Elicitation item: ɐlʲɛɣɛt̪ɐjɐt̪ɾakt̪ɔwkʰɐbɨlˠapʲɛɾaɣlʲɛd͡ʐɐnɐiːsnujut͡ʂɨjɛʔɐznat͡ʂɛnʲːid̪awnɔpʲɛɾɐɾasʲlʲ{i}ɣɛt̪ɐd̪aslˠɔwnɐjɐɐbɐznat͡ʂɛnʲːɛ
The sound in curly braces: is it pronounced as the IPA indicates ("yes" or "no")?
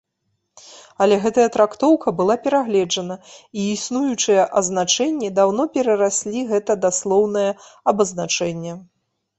yes